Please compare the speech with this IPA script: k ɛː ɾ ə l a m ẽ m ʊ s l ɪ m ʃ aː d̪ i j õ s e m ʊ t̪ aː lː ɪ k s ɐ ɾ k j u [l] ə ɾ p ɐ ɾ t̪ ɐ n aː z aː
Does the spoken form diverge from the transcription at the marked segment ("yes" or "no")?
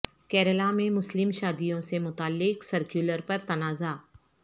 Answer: no